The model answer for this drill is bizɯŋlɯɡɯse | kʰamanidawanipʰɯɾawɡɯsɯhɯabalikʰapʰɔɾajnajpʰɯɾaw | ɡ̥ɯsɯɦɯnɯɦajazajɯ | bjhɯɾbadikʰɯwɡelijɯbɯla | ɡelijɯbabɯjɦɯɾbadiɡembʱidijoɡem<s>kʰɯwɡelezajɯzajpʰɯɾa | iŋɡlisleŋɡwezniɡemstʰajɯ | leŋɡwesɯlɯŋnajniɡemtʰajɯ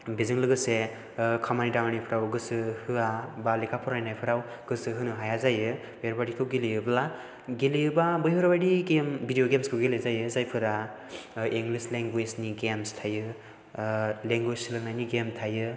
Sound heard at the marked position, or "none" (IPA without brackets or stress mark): s